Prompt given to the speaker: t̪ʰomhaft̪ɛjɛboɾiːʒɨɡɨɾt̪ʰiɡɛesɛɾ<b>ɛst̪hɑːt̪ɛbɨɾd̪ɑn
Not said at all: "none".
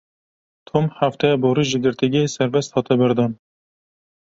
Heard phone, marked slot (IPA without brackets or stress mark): v